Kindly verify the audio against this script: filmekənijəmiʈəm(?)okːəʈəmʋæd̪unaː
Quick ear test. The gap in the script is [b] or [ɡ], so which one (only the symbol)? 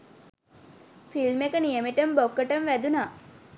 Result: b